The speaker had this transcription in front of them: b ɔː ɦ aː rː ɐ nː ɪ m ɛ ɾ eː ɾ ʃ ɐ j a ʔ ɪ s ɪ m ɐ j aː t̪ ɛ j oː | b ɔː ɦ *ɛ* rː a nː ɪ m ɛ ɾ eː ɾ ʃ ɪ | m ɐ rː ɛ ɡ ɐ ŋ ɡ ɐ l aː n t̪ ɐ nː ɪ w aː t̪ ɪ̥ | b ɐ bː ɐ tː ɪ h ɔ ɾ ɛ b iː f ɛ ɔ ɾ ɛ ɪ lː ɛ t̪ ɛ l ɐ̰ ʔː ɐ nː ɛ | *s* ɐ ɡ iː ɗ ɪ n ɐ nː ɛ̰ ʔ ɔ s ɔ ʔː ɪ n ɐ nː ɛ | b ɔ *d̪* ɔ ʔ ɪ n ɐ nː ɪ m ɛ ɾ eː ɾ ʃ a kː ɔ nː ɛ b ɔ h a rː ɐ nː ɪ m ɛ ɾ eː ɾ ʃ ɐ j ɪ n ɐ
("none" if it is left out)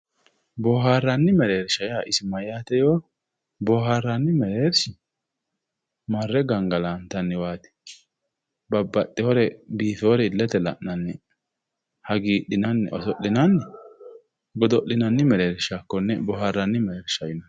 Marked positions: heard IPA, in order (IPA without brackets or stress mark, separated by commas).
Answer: a, h, d̪